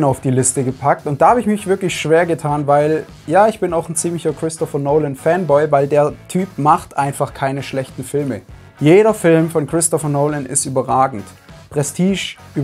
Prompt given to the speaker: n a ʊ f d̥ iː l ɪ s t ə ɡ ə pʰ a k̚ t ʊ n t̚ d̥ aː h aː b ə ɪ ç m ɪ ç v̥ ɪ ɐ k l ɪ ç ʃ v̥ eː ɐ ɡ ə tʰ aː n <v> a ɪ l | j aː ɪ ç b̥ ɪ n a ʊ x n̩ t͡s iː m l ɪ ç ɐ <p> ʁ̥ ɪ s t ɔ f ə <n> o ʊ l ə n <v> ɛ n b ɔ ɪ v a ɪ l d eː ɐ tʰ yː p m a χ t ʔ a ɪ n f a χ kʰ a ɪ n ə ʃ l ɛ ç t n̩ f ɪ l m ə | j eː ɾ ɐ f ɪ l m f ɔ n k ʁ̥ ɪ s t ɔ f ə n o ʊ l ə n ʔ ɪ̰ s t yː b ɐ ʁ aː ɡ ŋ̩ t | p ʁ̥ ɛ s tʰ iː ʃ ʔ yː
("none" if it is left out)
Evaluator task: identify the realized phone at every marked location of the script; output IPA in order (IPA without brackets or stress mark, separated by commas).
v, k, n, f